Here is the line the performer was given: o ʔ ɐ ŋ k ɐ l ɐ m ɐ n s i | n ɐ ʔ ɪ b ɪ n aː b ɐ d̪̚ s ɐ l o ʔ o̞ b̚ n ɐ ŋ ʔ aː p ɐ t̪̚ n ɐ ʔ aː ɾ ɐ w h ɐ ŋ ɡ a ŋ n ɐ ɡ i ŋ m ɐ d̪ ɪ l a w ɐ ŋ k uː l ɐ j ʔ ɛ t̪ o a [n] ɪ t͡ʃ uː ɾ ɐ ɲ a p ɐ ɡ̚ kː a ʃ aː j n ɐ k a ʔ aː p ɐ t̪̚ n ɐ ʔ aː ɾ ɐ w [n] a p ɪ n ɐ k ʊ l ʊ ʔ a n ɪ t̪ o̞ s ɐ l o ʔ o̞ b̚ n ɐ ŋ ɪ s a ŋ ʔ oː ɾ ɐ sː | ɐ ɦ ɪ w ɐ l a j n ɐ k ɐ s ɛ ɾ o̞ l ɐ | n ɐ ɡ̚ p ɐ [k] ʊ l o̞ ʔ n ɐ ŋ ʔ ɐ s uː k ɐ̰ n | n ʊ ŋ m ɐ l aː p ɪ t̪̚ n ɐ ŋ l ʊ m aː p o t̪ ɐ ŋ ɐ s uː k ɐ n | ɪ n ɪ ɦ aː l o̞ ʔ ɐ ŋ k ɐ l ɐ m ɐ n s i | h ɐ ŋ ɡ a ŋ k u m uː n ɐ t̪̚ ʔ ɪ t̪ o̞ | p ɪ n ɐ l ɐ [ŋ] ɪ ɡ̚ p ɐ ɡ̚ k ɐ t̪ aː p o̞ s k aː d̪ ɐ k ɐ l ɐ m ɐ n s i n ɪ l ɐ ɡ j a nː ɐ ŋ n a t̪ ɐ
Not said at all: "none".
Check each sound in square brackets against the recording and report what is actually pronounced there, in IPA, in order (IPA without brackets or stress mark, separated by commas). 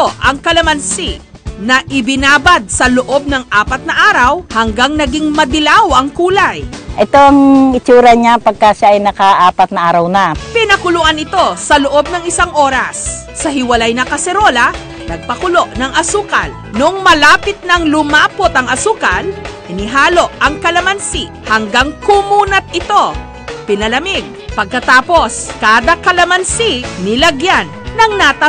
ŋ, n, k, m